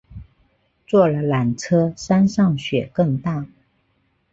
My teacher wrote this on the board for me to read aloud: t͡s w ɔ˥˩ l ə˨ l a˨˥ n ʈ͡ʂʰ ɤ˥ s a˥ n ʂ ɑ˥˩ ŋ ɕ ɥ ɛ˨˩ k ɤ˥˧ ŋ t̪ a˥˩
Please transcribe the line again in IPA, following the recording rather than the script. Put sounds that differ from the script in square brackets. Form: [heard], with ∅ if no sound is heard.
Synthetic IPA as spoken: t͡s w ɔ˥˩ l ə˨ l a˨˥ n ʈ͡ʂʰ ɤ˥ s a˥ n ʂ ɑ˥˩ ŋ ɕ ɥ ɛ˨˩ k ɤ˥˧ ŋ t̪ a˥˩